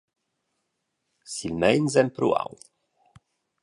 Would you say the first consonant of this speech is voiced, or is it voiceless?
voiceless